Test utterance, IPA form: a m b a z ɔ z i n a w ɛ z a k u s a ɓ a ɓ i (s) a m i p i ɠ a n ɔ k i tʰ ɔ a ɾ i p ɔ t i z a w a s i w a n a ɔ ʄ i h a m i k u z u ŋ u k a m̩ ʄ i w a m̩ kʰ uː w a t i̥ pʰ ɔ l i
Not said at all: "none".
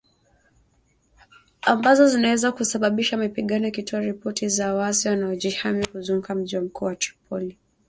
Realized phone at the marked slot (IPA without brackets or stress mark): ʃ